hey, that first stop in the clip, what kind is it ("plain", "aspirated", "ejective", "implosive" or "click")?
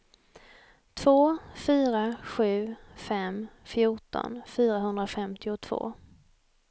aspirated